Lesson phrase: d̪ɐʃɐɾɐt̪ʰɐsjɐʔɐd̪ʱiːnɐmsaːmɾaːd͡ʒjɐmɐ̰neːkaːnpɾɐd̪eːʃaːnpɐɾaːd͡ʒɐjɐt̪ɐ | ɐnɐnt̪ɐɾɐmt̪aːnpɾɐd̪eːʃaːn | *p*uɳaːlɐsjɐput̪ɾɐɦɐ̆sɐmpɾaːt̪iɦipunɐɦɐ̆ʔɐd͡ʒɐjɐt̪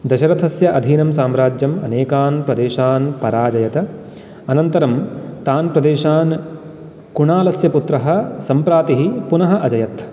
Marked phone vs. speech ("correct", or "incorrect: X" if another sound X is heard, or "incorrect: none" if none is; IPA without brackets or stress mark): incorrect: k